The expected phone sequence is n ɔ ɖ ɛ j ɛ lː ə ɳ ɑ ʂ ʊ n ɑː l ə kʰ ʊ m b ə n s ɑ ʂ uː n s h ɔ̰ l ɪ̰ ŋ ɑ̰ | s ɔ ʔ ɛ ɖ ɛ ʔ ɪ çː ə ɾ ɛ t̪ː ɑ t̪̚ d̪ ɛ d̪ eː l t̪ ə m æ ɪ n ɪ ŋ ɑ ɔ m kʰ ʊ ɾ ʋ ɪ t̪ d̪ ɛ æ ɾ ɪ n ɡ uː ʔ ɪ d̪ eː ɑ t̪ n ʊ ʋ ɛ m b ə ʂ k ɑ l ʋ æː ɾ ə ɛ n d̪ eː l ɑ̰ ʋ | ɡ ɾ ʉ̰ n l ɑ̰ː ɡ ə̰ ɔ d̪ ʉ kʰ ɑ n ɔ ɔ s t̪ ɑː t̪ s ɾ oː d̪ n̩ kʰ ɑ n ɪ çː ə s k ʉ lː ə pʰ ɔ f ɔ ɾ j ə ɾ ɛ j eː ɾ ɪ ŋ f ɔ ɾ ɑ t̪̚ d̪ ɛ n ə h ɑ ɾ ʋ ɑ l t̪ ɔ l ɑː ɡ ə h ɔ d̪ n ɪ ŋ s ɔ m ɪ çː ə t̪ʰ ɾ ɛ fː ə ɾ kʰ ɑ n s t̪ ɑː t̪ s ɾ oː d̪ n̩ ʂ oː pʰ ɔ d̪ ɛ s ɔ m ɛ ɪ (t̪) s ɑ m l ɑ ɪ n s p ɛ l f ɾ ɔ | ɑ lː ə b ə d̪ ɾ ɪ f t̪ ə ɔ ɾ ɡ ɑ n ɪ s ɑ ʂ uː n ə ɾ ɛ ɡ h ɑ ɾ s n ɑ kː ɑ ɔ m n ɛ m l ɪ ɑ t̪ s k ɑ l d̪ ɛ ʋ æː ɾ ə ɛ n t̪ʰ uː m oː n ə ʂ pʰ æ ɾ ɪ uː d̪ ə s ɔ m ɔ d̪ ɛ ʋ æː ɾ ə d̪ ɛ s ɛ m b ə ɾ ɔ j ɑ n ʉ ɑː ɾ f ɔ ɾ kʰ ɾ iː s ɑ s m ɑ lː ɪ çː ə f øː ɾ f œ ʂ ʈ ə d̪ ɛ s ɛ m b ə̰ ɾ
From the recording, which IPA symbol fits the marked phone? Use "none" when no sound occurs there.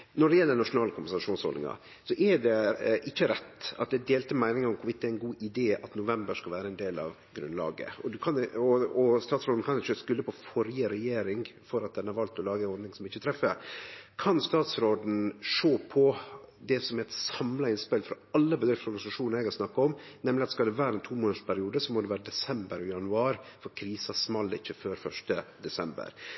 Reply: t̪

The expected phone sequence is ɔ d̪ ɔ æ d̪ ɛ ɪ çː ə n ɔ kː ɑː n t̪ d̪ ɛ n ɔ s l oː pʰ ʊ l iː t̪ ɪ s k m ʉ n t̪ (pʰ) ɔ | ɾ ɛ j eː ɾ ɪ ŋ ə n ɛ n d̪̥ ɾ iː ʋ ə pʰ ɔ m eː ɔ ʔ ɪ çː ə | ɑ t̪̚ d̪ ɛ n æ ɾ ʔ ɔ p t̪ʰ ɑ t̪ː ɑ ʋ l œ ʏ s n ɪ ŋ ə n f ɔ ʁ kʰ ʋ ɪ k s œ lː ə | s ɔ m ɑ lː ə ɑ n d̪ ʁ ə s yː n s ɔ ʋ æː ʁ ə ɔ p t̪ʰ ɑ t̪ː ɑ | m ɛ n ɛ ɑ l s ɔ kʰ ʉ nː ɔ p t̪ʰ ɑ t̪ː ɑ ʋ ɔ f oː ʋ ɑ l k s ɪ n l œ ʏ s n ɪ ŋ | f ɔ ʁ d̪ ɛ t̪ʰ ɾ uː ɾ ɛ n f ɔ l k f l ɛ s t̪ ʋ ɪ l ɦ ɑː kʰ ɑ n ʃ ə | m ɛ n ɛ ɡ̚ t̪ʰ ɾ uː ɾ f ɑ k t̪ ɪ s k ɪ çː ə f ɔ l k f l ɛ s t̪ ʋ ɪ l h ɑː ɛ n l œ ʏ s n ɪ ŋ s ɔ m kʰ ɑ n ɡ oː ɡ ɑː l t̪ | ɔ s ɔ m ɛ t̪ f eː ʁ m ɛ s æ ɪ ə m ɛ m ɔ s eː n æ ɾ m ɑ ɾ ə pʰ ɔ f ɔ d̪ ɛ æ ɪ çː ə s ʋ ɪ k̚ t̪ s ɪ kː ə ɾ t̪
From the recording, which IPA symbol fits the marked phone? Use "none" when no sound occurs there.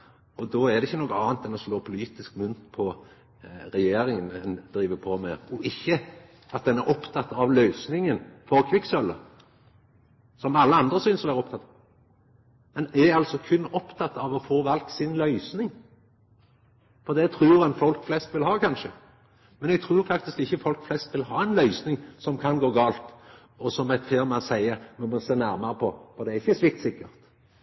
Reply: pʰ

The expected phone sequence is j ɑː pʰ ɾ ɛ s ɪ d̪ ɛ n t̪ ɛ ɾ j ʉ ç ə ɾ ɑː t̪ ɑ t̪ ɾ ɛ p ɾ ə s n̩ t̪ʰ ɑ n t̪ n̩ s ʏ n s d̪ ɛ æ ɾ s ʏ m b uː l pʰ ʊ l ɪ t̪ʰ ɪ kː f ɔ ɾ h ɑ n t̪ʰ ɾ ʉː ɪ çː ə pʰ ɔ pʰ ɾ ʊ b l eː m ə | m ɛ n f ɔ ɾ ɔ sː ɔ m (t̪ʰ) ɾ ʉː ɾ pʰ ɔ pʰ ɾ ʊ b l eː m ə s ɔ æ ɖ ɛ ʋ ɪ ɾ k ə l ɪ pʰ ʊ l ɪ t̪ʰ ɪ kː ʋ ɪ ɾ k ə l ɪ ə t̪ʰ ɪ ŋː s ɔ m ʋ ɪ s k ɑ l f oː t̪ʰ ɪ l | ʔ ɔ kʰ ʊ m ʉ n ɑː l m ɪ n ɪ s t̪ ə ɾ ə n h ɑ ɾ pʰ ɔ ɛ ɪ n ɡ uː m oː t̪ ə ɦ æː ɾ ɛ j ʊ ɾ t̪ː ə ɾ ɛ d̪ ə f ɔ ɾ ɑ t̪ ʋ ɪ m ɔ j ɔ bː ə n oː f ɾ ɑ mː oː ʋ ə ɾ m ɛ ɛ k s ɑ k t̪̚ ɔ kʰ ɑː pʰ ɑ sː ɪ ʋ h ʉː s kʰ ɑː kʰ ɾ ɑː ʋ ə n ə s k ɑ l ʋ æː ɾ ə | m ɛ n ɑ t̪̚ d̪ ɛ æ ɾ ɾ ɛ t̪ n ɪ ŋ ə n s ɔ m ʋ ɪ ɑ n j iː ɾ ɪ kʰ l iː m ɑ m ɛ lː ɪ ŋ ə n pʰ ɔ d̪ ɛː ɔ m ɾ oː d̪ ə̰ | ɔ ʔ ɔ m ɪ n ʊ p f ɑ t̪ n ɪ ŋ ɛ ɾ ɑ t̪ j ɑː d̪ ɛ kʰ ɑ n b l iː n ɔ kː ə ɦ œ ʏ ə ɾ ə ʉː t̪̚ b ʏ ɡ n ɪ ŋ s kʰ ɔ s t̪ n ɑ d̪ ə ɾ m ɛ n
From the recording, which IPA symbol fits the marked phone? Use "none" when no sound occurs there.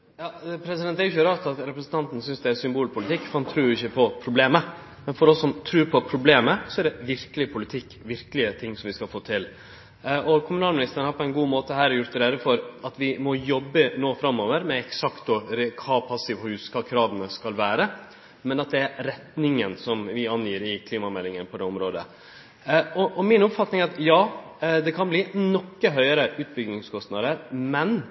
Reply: t̪ʰ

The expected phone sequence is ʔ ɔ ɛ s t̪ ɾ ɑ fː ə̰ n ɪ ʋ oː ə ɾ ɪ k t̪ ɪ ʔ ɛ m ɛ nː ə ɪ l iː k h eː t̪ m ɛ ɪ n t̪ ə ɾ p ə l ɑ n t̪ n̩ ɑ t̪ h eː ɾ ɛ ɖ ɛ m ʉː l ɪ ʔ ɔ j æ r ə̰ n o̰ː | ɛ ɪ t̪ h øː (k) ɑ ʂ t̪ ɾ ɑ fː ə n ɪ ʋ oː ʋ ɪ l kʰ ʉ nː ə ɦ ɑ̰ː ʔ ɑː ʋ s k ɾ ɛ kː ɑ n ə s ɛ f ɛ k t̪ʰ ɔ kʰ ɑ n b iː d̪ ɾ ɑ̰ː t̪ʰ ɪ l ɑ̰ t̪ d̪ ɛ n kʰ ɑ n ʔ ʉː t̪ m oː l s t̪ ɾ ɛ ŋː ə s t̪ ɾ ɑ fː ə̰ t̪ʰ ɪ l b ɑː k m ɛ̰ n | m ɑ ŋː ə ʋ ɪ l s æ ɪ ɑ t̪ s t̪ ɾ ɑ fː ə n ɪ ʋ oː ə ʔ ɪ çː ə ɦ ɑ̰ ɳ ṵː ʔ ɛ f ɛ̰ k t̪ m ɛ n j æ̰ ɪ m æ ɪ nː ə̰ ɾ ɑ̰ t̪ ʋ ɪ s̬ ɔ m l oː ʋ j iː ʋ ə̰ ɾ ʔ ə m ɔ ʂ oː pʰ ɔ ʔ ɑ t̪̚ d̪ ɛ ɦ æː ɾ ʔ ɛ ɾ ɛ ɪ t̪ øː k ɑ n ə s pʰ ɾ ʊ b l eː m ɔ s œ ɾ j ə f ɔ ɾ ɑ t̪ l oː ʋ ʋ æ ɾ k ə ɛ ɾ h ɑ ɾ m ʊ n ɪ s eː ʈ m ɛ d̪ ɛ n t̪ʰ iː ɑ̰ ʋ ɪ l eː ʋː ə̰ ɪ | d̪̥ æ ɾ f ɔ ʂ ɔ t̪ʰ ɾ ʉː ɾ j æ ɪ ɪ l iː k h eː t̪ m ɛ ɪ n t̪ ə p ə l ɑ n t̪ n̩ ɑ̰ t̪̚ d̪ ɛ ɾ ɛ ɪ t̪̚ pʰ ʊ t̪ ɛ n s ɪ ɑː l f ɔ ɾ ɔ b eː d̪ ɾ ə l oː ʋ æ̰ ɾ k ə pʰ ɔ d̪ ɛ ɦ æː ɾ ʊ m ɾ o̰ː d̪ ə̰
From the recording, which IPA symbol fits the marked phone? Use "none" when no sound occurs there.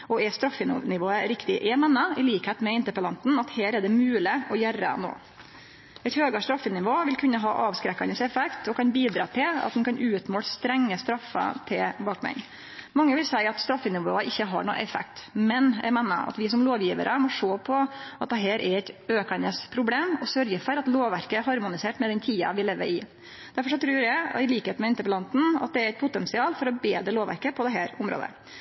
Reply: ɡ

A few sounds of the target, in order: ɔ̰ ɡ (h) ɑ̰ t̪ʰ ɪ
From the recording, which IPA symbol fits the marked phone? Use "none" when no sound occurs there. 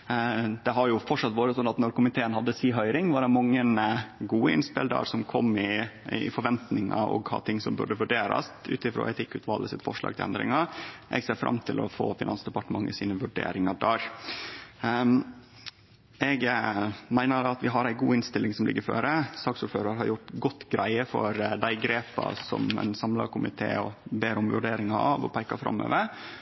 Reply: h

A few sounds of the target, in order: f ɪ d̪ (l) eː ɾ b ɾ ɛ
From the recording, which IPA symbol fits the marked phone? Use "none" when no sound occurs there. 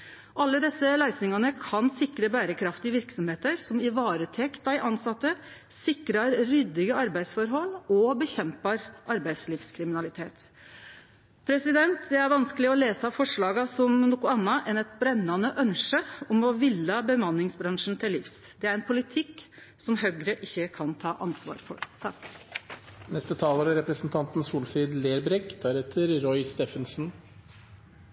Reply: l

